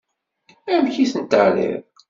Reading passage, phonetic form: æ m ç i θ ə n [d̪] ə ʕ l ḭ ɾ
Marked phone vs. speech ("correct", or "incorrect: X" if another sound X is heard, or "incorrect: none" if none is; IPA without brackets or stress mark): incorrect: t̪